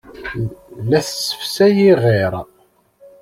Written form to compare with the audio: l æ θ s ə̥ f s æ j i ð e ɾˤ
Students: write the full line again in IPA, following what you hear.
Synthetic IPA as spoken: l æ θ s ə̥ f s æ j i ʁ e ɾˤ

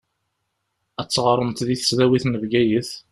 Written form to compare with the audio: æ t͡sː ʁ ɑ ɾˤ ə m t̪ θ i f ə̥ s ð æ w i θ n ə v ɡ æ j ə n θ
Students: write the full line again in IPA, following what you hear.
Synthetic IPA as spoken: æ t͡sː ʁ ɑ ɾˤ ə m t̪ ð i θ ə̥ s ð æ w i θ n ə v ɡ æ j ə θ

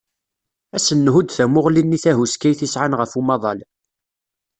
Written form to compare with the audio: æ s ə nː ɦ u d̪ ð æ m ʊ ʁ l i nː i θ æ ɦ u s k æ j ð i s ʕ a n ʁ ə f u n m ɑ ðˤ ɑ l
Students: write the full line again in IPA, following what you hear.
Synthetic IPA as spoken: æ s ə nː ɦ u d̪ θ æ m ʊ ʁ l i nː i θ æ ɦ u s k æ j θ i s ʕ a n ʁ ə f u m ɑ ðˤ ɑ l

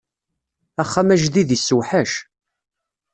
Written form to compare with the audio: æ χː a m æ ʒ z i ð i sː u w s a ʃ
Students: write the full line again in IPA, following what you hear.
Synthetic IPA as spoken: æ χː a m æ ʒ ð i ð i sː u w ħ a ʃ

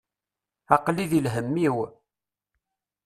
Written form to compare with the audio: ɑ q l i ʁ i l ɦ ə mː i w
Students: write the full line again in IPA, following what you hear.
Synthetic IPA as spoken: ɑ q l i ð i l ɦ ə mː i w

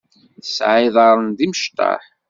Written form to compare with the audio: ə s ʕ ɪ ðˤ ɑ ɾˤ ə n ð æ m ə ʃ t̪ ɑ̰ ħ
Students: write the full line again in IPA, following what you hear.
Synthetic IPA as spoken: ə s ʕ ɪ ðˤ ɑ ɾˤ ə n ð i m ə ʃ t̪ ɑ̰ ħ

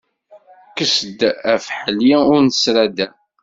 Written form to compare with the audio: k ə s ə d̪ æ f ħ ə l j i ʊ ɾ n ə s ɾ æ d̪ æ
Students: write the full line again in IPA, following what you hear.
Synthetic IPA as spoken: k ə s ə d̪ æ f ħ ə l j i ʊ ɾ n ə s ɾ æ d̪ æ

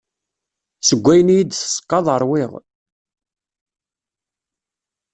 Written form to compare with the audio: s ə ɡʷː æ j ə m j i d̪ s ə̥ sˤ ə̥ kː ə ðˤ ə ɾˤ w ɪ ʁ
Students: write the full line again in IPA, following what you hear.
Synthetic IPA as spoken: s ə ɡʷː æ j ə n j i d̪ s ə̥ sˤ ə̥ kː ɑ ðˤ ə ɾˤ w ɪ ʁ

